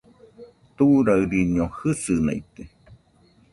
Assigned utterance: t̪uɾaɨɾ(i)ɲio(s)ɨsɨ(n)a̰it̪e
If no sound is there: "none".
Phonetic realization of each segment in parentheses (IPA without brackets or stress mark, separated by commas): i, h, n